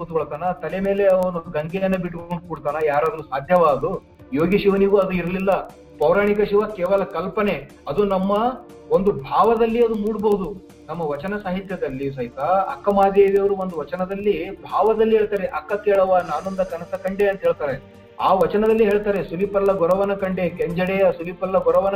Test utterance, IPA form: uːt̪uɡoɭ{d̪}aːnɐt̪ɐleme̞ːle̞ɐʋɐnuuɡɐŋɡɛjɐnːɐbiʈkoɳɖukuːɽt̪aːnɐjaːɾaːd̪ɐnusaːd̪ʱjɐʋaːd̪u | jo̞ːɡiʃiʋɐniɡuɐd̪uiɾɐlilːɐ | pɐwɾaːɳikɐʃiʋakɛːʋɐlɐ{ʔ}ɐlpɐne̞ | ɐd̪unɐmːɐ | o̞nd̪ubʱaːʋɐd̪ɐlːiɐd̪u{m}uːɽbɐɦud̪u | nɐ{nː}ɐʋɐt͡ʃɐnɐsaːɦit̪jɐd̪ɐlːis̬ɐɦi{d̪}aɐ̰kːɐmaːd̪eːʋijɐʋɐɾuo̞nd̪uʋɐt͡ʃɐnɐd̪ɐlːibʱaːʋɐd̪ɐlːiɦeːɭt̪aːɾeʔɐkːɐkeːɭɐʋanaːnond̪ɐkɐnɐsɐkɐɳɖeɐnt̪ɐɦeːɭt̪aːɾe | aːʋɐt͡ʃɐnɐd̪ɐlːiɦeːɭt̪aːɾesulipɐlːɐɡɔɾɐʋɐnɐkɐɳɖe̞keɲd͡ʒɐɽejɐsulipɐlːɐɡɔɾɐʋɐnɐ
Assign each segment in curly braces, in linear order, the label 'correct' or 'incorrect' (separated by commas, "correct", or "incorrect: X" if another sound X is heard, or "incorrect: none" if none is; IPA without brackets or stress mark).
incorrect: t̪, incorrect: k, correct, incorrect: mː, incorrect: t̪